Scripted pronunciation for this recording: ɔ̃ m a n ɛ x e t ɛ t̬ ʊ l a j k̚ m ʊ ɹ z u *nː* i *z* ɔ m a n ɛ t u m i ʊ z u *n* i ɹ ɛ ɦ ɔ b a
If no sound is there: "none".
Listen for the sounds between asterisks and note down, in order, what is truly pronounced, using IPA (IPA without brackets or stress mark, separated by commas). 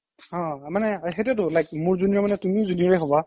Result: n, none, n